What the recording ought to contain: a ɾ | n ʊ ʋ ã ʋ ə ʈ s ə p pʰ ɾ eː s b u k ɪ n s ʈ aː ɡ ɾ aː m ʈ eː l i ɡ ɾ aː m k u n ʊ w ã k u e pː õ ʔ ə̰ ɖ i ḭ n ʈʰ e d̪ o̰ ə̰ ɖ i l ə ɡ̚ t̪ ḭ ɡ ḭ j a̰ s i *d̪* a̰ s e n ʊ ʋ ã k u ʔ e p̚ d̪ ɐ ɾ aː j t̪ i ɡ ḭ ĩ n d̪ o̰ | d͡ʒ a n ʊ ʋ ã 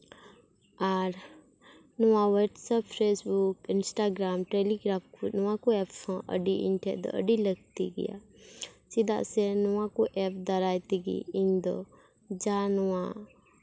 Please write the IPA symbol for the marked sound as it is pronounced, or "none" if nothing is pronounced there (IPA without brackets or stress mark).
d̪